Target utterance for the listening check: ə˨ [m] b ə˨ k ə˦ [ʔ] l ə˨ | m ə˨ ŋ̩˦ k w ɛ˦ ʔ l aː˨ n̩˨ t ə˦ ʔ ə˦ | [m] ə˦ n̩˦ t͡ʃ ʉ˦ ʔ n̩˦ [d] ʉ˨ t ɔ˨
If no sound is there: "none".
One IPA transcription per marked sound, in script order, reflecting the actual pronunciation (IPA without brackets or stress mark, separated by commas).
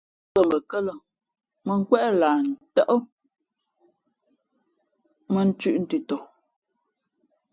m, none, m, t